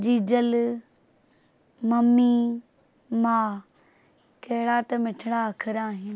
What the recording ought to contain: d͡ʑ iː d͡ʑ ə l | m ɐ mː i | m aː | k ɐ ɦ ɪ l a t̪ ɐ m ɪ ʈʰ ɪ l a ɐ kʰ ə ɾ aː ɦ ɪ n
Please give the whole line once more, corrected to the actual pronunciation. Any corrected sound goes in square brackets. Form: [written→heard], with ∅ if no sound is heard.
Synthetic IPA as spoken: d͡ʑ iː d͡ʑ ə l | m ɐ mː i | m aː | k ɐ ɦ ɪ [l→ɽ] a t̪ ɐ m ɪ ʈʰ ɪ [l→ɽ] a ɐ kʰ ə ɾ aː ɦ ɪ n